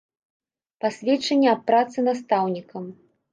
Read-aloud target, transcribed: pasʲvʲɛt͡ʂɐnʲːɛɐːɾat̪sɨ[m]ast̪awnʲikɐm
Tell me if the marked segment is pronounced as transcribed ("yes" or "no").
no